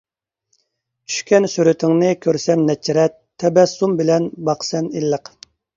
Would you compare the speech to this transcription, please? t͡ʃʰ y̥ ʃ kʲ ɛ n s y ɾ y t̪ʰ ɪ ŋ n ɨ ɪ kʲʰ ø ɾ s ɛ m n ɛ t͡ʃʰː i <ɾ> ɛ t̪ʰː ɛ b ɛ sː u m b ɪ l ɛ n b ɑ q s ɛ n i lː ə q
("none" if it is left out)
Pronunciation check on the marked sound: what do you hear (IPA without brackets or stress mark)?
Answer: ɾ